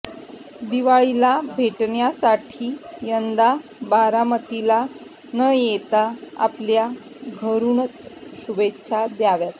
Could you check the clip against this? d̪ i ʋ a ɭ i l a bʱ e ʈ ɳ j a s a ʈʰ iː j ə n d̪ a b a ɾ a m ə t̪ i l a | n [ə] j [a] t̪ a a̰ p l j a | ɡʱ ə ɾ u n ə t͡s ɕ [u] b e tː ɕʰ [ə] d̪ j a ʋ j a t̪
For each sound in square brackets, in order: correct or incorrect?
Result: correct, incorrect, correct, incorrect

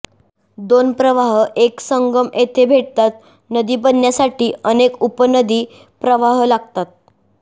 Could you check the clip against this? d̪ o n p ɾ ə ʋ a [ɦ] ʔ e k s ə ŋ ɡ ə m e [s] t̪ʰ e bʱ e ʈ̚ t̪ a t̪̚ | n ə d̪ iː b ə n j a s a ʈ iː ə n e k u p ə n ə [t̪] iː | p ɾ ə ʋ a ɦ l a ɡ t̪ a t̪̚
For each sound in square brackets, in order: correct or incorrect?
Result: correct, incorrect, incorrect

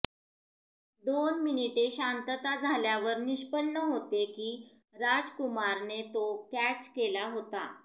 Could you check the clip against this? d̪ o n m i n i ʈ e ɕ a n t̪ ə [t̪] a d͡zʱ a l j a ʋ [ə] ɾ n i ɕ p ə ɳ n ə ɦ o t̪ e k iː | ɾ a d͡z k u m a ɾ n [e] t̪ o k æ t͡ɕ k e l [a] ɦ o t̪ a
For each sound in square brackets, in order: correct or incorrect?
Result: correct, correct, correct, correct

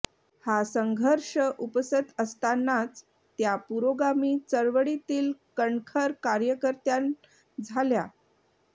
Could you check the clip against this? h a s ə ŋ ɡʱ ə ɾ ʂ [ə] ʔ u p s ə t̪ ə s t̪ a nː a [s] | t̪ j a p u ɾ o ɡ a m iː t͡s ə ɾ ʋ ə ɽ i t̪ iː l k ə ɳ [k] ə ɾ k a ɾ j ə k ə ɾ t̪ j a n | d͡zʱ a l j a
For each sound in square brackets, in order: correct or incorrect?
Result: correct, incorrect, incorrect

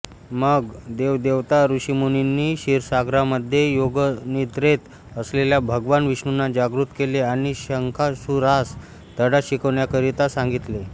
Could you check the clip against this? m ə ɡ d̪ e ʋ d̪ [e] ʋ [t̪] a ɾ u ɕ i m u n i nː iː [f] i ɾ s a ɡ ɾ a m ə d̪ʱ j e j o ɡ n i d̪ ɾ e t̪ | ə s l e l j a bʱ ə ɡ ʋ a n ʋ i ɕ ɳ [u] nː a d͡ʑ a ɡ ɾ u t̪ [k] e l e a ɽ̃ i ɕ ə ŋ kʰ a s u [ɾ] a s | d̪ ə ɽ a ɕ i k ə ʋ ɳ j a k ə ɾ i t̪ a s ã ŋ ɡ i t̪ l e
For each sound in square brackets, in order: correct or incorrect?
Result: correct, correct, incorrect, correct, correct, correct

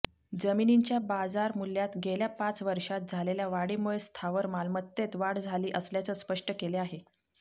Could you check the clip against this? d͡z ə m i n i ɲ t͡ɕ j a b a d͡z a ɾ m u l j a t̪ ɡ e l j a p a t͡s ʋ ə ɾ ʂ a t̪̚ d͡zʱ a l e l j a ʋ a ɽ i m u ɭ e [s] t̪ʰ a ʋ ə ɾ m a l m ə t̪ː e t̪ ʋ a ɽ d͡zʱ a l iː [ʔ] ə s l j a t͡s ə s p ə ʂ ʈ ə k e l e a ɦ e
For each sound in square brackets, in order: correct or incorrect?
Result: correct, correct

